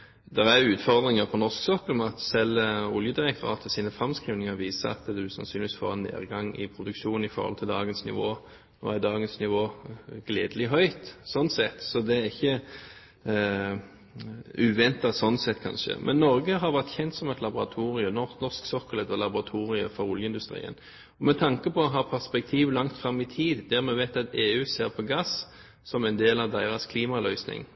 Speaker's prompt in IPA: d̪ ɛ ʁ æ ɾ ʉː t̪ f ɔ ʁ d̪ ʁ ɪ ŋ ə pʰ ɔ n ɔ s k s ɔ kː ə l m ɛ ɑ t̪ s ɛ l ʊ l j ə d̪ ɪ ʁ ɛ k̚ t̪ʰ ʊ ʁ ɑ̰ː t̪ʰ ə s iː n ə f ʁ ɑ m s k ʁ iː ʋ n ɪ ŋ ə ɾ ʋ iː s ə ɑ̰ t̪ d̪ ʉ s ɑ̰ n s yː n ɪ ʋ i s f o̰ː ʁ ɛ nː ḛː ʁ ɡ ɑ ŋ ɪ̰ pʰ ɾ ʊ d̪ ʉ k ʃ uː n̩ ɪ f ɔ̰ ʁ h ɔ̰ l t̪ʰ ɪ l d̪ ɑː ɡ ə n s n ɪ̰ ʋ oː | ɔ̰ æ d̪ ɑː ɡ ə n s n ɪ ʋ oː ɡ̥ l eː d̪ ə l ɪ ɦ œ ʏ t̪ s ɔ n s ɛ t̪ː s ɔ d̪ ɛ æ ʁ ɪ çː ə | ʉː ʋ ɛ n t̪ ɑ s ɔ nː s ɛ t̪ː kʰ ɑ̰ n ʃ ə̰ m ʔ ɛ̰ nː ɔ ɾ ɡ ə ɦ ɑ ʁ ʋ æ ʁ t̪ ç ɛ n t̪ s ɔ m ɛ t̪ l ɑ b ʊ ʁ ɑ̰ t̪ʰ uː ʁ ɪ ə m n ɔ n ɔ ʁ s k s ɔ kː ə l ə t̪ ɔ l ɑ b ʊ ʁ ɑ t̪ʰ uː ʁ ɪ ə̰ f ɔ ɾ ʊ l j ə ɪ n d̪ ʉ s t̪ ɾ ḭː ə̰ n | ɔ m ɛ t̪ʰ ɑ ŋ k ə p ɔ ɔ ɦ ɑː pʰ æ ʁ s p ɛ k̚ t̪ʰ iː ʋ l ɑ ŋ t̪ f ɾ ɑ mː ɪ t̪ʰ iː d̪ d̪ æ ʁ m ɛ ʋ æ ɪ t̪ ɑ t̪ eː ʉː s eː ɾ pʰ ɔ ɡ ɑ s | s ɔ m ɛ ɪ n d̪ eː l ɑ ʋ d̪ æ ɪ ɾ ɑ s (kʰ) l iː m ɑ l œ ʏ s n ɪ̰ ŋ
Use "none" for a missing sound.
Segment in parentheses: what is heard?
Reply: kʰ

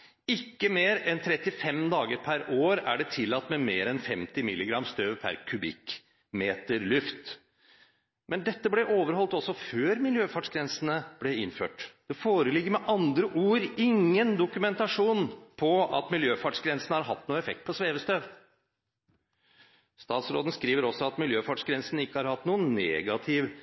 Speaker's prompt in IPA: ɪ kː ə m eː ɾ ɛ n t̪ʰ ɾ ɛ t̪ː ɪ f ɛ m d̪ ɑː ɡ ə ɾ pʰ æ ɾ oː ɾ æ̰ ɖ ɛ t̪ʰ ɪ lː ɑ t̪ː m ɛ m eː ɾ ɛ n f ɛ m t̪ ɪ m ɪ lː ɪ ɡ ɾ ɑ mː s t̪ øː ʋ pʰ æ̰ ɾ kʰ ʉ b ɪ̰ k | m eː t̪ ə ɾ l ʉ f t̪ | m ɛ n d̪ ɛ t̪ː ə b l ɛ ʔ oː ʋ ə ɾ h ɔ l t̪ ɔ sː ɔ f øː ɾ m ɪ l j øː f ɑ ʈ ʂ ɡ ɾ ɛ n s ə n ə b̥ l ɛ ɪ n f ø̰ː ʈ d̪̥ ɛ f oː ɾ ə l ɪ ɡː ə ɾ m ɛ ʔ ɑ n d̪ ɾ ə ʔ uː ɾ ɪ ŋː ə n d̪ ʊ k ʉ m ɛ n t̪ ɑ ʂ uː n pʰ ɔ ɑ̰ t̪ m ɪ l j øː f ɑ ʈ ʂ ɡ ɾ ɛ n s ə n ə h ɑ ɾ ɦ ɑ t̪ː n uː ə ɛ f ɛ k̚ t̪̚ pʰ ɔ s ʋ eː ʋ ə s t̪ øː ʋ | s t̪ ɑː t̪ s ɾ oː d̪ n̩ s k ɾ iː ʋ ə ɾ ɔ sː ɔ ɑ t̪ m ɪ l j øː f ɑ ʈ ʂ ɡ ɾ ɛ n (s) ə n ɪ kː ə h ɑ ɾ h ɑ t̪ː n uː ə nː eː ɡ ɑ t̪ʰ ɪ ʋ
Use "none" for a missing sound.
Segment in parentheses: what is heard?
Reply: s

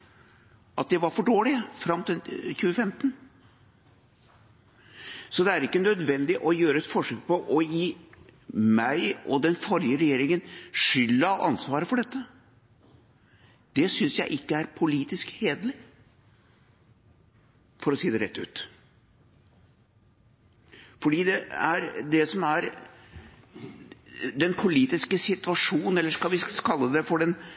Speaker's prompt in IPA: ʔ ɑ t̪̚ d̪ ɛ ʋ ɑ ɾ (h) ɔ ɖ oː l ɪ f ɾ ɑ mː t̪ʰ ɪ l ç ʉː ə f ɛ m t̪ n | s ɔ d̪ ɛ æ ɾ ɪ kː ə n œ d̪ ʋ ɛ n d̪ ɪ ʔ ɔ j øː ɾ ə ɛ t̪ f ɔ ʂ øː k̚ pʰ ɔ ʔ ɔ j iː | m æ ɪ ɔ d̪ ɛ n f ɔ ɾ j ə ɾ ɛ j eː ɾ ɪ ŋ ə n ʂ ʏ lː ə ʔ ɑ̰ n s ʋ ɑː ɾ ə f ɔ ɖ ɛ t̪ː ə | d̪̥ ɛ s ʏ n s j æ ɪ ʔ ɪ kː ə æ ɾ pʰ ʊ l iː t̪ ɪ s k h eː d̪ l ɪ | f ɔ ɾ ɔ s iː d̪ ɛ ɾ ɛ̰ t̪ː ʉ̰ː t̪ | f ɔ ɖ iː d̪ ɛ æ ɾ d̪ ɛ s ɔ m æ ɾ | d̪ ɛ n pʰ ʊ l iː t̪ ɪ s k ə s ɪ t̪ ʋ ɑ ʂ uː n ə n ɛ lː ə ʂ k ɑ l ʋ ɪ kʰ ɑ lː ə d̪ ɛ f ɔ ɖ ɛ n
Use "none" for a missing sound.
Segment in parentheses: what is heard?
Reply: f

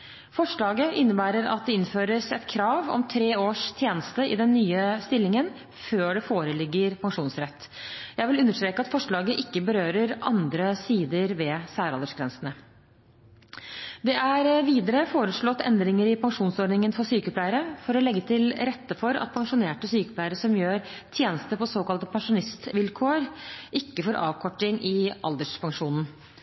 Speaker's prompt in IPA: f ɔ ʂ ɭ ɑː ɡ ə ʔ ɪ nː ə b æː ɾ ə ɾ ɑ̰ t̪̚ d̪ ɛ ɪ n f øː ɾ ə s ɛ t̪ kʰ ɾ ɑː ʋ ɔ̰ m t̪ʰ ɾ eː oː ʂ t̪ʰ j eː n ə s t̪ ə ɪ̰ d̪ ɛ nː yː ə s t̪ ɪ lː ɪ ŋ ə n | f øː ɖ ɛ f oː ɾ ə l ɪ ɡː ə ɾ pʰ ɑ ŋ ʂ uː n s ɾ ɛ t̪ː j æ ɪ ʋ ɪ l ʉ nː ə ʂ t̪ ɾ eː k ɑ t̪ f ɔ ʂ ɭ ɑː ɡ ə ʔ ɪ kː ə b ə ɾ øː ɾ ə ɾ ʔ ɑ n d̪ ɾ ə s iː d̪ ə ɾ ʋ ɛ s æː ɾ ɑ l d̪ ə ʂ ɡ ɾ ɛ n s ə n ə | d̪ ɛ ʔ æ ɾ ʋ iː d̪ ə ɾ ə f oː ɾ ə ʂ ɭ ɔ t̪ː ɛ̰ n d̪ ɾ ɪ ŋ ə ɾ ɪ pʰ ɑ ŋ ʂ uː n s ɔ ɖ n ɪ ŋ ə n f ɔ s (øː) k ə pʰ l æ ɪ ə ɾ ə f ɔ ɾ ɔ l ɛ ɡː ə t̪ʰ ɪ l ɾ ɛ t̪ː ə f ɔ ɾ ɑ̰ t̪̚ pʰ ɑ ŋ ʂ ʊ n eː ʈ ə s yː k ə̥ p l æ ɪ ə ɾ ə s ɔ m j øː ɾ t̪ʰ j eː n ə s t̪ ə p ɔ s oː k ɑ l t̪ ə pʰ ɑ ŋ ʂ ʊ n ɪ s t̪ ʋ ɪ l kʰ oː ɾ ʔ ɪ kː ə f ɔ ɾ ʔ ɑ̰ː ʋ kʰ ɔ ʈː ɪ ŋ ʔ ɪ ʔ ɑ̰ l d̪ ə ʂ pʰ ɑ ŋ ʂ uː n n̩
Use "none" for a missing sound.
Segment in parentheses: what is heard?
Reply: yː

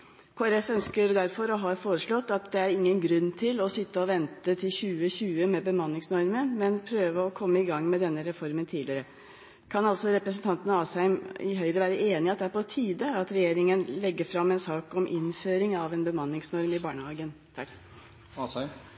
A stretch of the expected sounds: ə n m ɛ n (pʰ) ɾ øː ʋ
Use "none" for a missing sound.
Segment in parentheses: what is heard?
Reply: pʰ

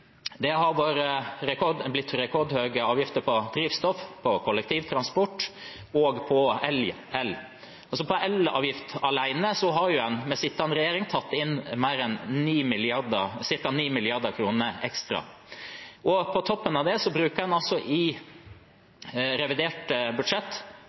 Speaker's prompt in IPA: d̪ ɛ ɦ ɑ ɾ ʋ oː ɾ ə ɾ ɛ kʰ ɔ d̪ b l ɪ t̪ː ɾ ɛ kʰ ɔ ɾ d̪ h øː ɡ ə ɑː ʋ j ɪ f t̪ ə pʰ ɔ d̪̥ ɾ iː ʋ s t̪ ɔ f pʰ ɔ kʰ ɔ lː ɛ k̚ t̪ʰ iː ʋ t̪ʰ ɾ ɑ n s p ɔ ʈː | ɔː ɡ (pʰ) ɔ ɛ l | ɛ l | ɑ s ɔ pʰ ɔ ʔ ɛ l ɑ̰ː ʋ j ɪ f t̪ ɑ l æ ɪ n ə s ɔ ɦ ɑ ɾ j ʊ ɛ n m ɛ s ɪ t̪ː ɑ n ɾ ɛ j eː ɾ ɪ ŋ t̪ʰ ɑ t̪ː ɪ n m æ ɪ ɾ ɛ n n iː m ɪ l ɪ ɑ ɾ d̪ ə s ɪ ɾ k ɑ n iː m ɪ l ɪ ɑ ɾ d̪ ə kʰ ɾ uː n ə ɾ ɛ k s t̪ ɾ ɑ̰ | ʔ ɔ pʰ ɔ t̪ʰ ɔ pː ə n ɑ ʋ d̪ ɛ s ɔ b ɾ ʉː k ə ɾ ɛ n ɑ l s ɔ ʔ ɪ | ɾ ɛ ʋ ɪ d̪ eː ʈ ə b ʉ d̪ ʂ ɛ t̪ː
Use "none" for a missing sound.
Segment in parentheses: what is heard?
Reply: pʰ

